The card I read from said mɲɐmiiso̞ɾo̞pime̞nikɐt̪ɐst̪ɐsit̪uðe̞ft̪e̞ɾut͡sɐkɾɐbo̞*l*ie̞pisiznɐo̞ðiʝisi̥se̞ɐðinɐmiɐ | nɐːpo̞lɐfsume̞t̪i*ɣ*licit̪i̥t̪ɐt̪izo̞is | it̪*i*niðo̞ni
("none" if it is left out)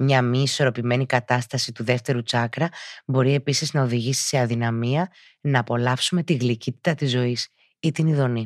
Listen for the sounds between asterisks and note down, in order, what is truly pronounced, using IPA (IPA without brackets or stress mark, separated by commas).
ɾ, ɣ, i